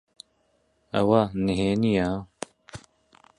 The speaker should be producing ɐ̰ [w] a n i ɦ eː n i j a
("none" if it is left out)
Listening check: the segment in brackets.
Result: w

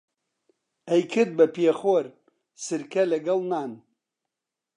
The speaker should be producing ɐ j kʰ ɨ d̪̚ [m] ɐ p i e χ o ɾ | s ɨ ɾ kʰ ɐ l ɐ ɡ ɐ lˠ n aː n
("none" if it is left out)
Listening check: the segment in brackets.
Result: b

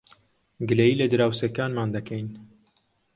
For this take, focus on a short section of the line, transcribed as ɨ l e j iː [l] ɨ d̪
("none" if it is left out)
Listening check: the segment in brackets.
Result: l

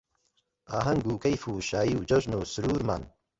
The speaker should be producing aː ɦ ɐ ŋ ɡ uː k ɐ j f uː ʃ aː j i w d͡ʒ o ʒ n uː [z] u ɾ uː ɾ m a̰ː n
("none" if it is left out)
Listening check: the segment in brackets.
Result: s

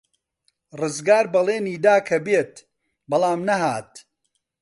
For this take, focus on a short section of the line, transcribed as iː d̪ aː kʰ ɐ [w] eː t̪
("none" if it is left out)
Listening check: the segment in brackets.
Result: b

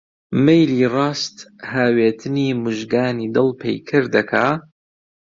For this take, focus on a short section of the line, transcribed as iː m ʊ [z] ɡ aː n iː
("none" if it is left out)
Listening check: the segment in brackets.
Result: ʒ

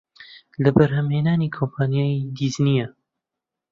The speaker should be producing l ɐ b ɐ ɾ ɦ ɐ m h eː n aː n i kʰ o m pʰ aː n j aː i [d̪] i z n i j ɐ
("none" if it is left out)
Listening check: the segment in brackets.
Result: d̪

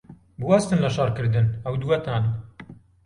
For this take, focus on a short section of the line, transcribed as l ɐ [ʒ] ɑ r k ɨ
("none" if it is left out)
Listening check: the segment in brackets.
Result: ʃ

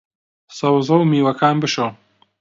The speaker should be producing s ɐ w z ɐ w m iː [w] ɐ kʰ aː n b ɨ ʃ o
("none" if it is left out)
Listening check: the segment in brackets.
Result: w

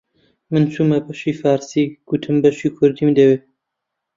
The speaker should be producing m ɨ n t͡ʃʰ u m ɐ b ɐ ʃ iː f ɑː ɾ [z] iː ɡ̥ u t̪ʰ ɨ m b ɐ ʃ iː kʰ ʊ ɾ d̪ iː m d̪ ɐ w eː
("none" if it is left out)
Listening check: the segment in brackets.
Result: s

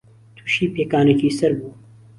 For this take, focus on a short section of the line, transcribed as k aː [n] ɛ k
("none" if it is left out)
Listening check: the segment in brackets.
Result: n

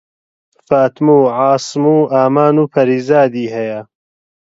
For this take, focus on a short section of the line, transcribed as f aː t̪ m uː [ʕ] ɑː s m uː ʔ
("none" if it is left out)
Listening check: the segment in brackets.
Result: ʕ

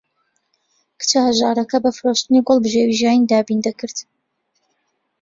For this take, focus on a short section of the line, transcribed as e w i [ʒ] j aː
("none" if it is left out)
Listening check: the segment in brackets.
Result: ʒ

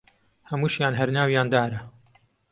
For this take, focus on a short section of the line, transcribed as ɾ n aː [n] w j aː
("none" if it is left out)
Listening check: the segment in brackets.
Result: none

